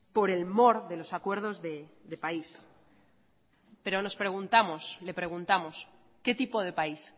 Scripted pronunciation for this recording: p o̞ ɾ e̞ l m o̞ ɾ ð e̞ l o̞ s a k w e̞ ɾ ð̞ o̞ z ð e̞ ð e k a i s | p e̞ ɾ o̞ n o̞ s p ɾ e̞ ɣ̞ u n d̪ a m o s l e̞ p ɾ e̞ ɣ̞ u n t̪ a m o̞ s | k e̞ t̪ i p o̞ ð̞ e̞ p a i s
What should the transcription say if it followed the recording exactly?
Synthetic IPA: p o̞ ɾ e̞ l m o̞ ɾ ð e̞ l o̞ s a k w e̞ ɾ ð̞ o̞ z ð e̞ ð e p a i s | p e̞ ɾ o̞ n o̞ s p ɾ e̞ ɣ̞ u n t̪ a m o s l e̞ p ɾ e̞ ɣ̞ u n t̪ a m o̞ s | k e̞ t̪ i p o̞ ð̞ e̞ p a i s